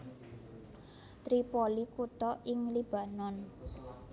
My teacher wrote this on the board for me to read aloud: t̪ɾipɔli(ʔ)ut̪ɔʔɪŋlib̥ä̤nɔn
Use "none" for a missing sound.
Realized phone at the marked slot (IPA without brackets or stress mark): k